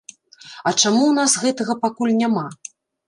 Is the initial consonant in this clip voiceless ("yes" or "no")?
yes